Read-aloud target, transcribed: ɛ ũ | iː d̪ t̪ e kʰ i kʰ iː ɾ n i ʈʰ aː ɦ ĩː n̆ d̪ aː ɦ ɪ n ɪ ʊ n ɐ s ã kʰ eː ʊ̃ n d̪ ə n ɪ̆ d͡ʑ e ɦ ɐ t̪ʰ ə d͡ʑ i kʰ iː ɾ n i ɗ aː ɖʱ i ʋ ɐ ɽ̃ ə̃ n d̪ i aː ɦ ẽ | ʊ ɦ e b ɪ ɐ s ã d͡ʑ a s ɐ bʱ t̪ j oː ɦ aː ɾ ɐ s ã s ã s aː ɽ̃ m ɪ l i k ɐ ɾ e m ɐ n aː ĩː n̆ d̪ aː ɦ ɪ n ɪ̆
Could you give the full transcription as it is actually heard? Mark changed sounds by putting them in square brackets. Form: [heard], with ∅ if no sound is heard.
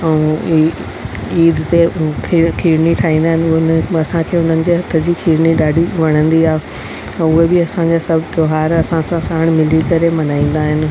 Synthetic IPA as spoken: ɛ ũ | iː d̪ t̪ e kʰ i kʰ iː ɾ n i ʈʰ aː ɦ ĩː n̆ d̪ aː ɦ ɪ n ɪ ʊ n ɐ s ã kʰ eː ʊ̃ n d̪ ə n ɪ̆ d͡ʑ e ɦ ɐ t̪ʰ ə d͡ʑ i kʰ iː ɾ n i ɗ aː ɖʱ i ʋ ɐ ɽ̃ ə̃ n d̪ i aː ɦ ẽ | ʊ ɦ e b ɪ ɐ s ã d͡ʑ a s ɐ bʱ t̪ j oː ɦ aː ɾ ɐ s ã s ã s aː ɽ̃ m ɪ l i k ɐ ɾ e m ɐ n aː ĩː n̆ d̪ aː ɦ ɪ n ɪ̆